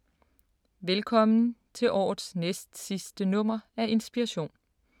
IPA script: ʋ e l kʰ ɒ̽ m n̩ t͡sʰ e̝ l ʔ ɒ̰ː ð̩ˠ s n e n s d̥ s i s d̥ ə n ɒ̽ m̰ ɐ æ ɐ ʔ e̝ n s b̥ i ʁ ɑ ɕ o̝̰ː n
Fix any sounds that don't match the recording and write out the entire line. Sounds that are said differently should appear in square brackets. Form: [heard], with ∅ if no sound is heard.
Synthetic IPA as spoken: ʋ e l kʰ ɒ̽ m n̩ t͡sʰ e̝ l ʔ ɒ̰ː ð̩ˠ s n e [∅] s d̥ s i s d̥ ə n [ɔ̽] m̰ ɐ æ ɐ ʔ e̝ n s b̥ i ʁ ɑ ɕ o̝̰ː n